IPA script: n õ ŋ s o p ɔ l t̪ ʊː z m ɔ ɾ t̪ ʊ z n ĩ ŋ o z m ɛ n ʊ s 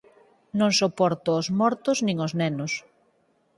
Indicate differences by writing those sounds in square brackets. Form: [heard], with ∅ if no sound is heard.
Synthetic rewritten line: n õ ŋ s o p ɔ [ɾ] t̪ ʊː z m ɔ ɾ t̪ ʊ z n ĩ ŋ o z [n] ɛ n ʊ s